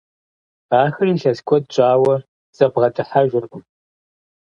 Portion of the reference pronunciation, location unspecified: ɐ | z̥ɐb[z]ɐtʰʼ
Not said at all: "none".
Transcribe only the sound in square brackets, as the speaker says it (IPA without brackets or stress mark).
ʁ